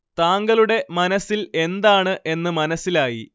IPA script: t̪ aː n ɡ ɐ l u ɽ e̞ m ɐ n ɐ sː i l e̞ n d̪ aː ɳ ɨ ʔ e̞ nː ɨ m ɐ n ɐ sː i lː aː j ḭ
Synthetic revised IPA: t̪ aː ŋ ɡ ɐ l u ɽ e̞ m ɐ n ɐ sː i l e̞ n d̪ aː ɳ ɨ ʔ e̞ nː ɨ m ɐ n ɐ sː i l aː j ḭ